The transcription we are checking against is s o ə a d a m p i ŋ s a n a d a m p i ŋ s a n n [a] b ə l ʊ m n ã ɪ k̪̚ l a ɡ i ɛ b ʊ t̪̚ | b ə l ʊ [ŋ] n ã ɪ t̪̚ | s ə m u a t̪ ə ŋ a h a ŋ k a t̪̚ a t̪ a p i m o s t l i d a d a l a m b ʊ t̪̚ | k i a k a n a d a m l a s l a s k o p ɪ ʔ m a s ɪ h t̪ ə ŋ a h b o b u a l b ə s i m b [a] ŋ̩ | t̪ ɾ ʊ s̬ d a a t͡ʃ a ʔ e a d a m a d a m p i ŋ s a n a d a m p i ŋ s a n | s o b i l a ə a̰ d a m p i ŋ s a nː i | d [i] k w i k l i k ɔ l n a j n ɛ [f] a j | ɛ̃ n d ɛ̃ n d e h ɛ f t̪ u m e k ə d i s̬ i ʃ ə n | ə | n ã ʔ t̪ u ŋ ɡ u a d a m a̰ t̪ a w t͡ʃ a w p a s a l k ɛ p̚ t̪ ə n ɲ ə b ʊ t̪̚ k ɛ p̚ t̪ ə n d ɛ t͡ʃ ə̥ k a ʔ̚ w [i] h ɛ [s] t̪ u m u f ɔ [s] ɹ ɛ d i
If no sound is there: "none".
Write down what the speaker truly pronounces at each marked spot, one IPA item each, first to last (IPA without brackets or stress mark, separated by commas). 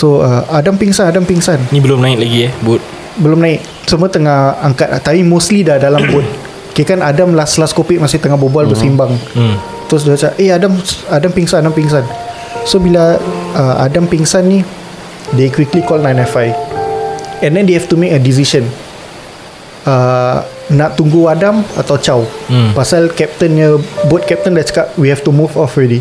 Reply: i, m, a, e, f, i, f, f